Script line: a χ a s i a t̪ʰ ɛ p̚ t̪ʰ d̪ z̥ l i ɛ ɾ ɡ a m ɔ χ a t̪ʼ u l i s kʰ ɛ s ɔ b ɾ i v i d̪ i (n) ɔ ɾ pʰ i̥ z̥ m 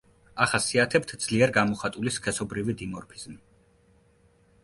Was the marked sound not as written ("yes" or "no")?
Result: yes